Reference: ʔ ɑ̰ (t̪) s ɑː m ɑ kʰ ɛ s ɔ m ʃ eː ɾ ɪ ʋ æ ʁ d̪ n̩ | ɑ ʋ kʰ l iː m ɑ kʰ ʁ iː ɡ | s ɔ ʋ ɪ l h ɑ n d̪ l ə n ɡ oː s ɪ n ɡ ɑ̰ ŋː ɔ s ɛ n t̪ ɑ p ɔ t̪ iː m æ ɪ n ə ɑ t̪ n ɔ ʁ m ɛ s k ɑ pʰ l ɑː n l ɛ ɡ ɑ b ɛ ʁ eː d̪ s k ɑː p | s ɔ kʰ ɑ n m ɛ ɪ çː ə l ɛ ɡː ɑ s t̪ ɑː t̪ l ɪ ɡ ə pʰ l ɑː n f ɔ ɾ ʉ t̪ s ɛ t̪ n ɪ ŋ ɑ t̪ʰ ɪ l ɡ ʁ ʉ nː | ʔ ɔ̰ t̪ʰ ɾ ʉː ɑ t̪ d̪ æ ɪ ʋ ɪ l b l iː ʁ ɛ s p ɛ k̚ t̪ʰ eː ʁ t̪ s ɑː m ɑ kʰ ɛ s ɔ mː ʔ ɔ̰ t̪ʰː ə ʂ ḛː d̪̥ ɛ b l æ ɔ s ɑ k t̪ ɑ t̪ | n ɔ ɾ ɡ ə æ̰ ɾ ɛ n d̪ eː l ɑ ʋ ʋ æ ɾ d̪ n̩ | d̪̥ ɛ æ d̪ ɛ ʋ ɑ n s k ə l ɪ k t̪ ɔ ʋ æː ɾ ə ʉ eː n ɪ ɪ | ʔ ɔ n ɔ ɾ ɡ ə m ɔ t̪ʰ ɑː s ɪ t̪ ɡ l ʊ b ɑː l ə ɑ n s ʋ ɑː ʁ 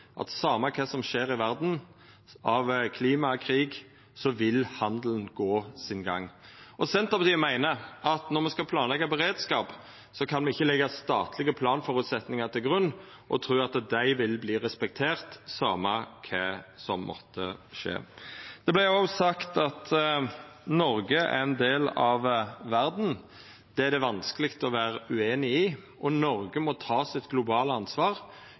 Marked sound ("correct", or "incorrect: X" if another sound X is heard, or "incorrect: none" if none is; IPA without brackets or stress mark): correct